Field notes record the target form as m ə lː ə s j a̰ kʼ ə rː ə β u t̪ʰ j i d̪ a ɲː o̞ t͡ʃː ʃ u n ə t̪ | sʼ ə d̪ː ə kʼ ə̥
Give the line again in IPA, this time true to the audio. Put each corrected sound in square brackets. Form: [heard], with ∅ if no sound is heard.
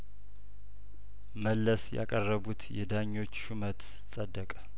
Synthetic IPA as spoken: m ə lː ə s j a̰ kʼ ə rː ə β u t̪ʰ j [ɛ] d̪ a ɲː o̞ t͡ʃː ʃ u [m] ə t̪ | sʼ ə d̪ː ə kʼ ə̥

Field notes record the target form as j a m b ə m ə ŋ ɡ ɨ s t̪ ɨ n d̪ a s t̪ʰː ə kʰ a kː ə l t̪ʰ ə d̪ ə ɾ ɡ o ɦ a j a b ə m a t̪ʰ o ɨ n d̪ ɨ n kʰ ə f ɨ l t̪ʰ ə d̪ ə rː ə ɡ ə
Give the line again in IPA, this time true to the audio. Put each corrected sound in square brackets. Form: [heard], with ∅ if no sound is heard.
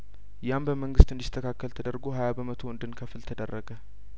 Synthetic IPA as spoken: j a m b ə m ə ŋ ɡ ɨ s t̪ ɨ n d̪ [i] s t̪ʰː ə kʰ a kː ə l t̪ʰ ə d̪ ə ɾ ɡ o ɦ a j a b ə m [ə] t̪ʰ o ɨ n d̪ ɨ n kʰ ə f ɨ l t̪ʰ ə d̪ ə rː ə ɡ ə

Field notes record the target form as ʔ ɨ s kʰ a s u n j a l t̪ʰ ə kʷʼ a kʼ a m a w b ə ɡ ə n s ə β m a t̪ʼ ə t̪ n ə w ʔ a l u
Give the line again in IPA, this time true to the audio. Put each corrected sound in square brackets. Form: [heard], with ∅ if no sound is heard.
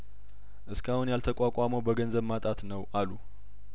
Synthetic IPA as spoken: ʔ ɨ s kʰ a [h] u n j a l t̪ʰ ə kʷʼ a kʼ a m [ə] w b ə ɡ ə n [z] ə β m a t̪ʼ [a] t̪ n ə w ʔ a l u

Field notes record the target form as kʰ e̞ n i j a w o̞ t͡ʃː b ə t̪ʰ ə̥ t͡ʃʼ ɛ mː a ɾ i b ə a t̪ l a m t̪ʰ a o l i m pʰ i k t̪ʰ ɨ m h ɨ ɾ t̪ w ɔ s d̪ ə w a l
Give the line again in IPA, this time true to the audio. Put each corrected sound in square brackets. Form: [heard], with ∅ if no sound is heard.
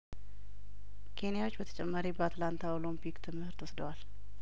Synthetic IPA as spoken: kʰ e̞ n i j a w o̞ t͡ʃː b ə t̪ʰ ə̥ t͡ʃʼ ɛ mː a ɾ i b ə a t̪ l a [n] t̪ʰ a o l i m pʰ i k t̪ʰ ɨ m h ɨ ɾ t̪ w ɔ s d̪ ə w a l

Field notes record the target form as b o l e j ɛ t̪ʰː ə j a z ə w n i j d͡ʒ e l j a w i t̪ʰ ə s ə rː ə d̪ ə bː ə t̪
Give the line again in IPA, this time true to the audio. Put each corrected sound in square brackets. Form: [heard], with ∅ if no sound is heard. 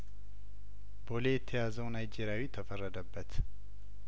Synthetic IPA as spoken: b o l e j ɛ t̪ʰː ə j a z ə w n [a] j d͡ʒ e [ɾ] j a w i t̪ʰ ə [f] ə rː ə d̪ ə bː ə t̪

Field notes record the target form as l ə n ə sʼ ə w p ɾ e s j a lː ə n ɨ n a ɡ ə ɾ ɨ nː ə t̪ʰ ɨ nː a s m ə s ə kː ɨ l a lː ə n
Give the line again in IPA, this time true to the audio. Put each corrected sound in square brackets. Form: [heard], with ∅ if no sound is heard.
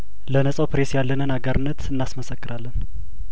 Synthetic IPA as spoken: l ə n ə sʼ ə w p ɾ e s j a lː ə n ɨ n a ɡ ə ɾ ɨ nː ə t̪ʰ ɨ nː a s m ə s ə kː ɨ [ɾ] a lː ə n

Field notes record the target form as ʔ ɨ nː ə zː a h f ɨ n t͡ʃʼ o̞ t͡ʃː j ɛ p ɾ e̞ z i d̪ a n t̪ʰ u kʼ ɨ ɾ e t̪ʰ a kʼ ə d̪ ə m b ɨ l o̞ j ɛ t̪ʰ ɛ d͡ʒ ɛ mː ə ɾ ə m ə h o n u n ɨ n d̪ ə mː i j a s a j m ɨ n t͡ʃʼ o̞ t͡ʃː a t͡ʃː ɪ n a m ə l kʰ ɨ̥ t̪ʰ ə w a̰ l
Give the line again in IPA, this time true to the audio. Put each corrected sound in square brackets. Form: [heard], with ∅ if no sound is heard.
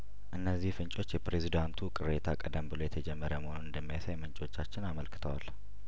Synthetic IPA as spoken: ʔ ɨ nː ə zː [i] h f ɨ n t͡ʃʼ o̞ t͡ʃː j ɛ p ɾ e̞ z i d̪ a n t̪ʰ u kʼ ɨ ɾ e t̪ʰ a kʼ ə d̪ ə m b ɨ l o̞ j ɛ t̪ʰ ɛ d͡ʒ ɛ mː ə ɾ ə m ə h o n u n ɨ n d̪ ə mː i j a s a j m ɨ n t͡ʃʼ o̞ t͡ʃː a t͡ʃː ɪ n a m ə l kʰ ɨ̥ t̪ʰ ə w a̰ l

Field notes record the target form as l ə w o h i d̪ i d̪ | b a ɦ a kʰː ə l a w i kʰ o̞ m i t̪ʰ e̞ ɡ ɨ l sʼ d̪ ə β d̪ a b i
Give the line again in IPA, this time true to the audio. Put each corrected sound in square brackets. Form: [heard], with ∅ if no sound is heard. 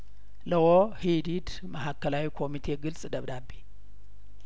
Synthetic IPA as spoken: l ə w o h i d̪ i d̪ | [m] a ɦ a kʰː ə l a w i kʰ o̞ m i t̪ʰ e̞ ɡ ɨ l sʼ d̪ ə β d̪ a b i

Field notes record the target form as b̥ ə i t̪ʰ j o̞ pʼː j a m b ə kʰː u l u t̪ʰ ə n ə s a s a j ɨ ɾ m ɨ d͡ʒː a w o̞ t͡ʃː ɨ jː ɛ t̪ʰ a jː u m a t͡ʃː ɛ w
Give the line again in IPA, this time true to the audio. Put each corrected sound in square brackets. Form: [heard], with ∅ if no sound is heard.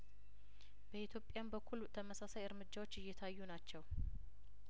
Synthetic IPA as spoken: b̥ ə i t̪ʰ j o̞ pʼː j a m b ə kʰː u l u t̪ʰ ə [m] ə s a s a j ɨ ɾ m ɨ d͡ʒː a w o̞ t͡ʃː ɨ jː ɛ t̪ʰ a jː u [n] a t͡ʃː ɛ w

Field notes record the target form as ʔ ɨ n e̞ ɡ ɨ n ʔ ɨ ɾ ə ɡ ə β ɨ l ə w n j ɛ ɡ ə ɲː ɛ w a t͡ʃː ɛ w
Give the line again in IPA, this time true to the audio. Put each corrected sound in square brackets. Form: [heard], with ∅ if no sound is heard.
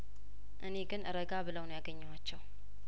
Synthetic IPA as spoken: ʔ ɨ n e̞ ɡ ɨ n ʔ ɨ ɾ ə ɡ [a] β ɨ l ə w n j [a] ɡ ə ɲː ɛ w a t͡ʃː ɛ w

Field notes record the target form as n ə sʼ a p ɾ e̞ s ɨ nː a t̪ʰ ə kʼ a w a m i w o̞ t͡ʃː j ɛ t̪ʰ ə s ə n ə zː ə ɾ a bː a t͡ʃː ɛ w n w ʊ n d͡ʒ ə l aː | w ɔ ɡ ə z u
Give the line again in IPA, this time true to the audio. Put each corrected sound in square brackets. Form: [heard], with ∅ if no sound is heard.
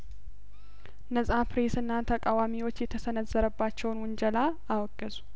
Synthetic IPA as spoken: n ə sʼ a p ɾ e̞ s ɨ nː a t̪ʰ ə kʼ a w a m i w o̞ t͡ʃː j ɛ t̪ʰ ə s ə n ə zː ə ɾ [ə] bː a t͡ʃː ɛ w n w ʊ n d͡ʒ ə l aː | w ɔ ɡ ə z u

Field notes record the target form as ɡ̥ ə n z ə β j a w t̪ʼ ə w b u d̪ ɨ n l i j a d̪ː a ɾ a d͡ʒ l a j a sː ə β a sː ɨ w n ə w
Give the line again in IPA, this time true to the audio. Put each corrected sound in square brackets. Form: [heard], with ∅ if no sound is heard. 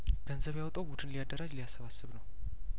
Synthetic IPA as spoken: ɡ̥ ə n z ə β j a w t̪ʼ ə w b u d̪ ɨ n l i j a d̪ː [ə] ɾ a d͡ʒ l [i] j a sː ə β a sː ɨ [β] n ə w

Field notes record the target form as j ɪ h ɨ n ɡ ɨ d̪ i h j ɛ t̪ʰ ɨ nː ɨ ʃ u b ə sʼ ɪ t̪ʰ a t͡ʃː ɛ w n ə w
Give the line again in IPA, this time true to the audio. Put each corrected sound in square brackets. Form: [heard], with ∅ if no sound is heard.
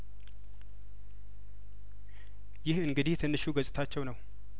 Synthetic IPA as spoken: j ɪ h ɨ [ŋ] ɡ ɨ d̪ i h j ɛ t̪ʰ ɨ nː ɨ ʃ u [ɡ] ə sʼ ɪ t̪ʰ a t͡ʃː ɛ w n ə w

